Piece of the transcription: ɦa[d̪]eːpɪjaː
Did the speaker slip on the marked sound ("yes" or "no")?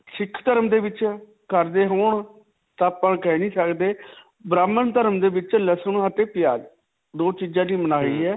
yes